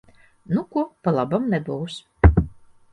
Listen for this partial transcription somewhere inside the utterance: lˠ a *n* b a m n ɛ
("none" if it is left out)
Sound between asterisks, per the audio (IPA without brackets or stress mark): none